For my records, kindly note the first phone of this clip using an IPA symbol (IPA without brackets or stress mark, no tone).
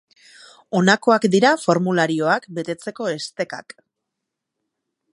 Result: o̞